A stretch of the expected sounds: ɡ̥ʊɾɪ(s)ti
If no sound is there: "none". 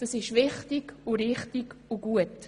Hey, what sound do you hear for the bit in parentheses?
χ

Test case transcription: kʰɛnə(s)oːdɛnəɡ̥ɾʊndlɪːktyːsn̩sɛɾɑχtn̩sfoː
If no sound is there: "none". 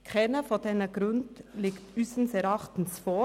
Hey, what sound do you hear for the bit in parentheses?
f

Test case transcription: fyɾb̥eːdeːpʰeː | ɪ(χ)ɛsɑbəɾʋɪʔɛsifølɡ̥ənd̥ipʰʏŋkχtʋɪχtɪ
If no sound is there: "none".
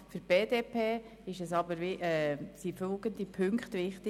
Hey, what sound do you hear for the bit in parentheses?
ʃ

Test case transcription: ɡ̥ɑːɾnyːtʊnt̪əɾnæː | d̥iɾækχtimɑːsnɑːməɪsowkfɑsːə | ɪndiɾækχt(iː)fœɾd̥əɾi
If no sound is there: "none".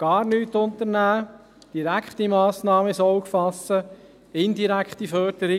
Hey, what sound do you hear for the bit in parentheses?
i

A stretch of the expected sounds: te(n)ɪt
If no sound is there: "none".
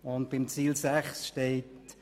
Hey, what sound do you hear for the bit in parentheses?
none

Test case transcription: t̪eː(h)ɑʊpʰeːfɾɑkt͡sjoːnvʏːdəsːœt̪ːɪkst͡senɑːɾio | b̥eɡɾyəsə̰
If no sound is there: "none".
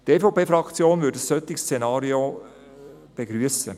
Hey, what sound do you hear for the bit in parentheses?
f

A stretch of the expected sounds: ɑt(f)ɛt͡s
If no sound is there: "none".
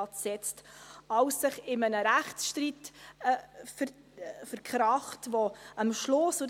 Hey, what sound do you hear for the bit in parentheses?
s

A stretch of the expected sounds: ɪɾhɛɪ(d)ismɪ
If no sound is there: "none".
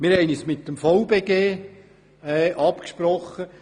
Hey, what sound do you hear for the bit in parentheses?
n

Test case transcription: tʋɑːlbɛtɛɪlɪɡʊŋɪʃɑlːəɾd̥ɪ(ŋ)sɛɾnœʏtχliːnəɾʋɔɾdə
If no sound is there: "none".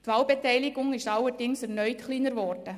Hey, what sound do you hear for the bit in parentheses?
ŋ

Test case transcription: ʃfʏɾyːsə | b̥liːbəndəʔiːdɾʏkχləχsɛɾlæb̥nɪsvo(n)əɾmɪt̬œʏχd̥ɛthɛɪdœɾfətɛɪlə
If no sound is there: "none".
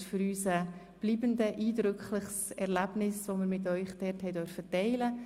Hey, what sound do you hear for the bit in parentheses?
m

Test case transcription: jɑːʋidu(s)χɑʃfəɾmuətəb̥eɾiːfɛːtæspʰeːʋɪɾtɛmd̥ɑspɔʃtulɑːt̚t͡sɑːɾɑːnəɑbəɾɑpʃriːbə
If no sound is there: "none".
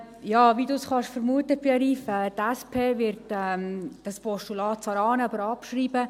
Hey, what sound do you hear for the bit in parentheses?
s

